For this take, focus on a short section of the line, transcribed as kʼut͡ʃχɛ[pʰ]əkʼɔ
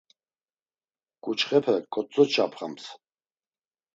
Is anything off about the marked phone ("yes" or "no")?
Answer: no